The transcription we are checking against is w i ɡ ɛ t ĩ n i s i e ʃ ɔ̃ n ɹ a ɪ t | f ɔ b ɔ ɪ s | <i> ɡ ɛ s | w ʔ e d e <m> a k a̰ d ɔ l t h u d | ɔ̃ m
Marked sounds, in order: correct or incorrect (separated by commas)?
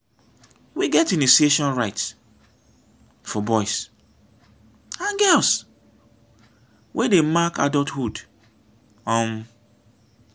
incorrect, correct